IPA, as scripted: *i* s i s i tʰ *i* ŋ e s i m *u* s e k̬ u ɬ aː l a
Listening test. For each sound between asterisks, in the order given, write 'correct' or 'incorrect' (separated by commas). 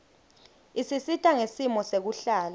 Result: correct, incorrect, incorrect